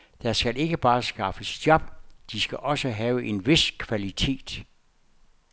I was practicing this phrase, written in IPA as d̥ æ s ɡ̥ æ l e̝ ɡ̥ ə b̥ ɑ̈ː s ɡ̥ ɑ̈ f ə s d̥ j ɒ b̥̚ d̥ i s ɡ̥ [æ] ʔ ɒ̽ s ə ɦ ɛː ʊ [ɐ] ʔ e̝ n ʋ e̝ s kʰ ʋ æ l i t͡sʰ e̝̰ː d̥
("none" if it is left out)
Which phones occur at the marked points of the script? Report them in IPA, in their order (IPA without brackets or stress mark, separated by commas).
æ, ə